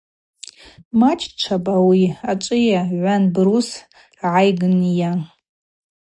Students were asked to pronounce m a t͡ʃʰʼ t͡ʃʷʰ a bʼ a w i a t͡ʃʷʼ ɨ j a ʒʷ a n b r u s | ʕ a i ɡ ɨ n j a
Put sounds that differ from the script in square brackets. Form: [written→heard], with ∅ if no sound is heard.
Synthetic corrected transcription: m a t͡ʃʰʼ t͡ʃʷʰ a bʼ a w i a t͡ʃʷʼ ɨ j a [ʒʷ→ʕʷ] a n b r u s | ʕ a [i→j] ɡ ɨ n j a